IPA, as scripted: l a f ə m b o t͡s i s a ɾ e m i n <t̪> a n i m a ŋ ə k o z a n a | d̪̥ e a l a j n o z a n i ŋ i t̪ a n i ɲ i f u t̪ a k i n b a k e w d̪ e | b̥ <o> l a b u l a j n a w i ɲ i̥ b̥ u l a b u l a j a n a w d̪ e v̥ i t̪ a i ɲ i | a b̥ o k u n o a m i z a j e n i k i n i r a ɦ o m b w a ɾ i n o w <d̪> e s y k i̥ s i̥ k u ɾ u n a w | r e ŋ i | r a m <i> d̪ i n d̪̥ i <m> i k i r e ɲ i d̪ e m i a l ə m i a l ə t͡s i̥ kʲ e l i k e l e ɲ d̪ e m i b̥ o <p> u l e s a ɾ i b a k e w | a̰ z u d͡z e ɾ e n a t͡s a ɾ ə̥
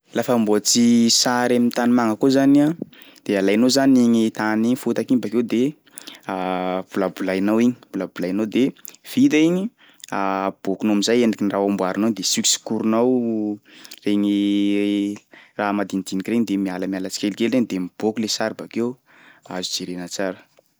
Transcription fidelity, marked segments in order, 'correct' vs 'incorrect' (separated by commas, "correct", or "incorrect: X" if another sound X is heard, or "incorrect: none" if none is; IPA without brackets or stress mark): correct, incorrect: u, correct, incorrect: a, incorrect: n, incorrect: k